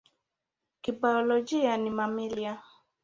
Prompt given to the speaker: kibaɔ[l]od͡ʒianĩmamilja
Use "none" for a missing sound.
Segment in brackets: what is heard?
l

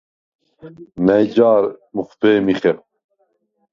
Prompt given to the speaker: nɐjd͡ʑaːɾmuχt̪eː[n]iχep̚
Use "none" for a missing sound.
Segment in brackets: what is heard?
m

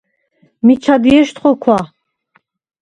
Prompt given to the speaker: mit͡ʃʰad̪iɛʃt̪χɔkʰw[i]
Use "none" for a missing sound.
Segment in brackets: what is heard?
a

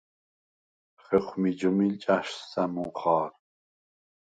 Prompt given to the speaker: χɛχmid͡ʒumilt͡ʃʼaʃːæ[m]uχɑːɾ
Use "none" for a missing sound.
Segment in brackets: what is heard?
m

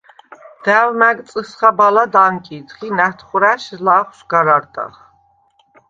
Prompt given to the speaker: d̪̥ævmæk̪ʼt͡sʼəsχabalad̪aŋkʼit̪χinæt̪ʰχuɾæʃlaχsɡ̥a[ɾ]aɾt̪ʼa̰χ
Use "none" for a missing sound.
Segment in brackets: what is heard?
ɾ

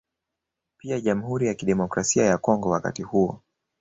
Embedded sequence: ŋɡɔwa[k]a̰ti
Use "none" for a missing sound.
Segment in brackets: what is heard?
k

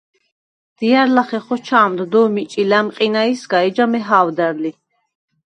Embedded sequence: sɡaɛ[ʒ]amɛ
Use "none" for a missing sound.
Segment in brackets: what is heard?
d͡ʒ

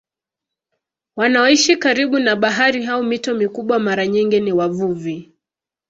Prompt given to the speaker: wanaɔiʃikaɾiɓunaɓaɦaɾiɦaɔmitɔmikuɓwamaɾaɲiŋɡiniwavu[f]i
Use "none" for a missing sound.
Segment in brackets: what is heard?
v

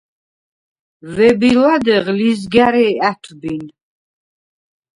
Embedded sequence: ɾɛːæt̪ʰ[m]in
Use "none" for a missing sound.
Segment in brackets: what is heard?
b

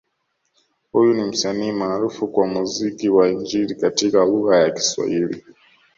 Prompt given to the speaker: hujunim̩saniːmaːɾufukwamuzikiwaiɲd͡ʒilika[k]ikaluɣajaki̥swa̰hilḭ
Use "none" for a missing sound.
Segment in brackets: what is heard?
t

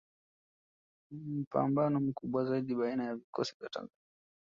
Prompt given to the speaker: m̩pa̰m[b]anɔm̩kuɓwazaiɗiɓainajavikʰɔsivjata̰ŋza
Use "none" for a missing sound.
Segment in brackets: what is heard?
b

